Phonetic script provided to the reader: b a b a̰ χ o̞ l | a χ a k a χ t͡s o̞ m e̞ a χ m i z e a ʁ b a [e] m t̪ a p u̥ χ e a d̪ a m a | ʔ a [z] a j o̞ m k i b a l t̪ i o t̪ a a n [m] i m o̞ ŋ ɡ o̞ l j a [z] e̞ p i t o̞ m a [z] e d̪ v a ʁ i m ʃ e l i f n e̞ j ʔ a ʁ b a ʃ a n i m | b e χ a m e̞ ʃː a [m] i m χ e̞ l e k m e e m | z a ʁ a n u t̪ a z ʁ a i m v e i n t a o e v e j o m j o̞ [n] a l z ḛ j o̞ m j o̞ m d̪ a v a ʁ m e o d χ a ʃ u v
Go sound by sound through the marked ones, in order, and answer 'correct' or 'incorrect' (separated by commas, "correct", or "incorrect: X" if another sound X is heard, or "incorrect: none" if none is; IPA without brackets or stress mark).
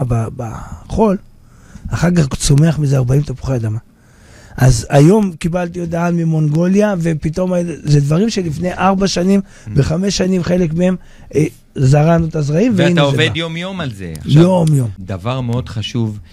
incorrect: i, correct, correct, incorrect: v, correct, incorrect: n, incorrect: m